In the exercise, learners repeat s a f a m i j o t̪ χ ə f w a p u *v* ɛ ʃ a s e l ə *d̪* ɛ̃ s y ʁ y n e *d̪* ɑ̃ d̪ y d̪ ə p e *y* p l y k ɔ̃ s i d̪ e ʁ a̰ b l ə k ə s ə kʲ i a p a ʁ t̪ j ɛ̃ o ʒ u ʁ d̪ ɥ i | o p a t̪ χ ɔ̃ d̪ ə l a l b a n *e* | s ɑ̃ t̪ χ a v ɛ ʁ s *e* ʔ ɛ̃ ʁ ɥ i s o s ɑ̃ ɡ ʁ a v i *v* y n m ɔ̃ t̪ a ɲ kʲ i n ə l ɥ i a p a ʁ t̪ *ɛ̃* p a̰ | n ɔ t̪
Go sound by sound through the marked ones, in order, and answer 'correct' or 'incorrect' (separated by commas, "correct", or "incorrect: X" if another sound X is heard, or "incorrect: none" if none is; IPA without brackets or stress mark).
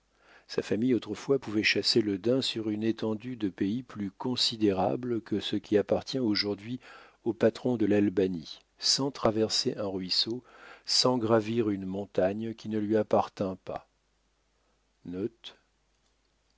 correct, correct, incorrect: t̪, incorrect: i, incorrect: i, correct, incorrect: ʁ, correct